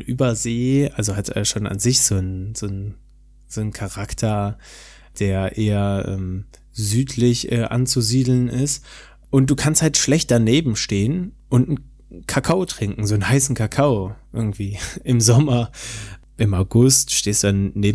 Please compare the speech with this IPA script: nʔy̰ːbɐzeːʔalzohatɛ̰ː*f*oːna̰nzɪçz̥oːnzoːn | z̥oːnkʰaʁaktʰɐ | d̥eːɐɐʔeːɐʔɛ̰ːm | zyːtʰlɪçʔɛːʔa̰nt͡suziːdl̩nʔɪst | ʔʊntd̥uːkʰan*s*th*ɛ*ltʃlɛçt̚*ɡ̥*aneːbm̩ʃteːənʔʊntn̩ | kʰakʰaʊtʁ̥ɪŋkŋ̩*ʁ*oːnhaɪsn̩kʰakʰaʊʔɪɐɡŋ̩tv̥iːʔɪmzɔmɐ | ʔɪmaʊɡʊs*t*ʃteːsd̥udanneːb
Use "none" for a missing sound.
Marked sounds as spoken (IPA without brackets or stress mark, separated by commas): ʃ, s, a, d̥, z, t